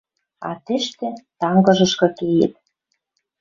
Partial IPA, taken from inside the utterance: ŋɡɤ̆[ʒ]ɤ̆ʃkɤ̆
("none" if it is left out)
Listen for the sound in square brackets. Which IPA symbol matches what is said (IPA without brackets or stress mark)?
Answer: ʒ